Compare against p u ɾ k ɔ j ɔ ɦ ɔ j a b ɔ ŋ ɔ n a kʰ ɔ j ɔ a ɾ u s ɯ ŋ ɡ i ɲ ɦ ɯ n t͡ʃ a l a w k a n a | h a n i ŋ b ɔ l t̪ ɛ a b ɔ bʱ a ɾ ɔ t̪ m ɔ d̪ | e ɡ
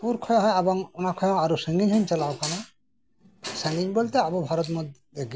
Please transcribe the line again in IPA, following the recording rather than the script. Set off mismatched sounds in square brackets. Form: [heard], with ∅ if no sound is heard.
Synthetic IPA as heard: p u ɾ [kʰ] ɔ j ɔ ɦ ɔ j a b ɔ ŋ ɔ n a kʰ ɔ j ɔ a ɾ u s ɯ ŋ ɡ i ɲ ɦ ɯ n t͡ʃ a l a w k a n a | [s] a n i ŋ b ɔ l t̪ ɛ a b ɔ bʱ a ɾ ɔ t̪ m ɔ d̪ | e ɡ